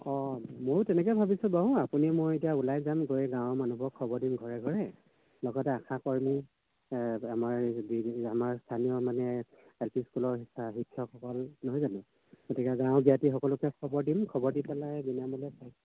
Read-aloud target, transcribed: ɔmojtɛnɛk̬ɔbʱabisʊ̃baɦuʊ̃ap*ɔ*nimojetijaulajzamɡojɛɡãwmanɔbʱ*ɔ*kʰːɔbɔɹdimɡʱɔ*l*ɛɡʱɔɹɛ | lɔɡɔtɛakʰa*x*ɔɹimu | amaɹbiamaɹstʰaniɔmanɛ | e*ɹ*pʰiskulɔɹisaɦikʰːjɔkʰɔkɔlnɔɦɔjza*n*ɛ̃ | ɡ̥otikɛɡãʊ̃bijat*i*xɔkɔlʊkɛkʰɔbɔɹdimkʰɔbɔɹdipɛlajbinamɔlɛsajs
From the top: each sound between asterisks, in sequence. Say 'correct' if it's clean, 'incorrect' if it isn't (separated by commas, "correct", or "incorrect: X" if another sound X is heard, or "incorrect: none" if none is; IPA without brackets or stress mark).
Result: incorrect: u, correct, incorrect: ɹ, incorrect: k, incorrect: l, correct, correct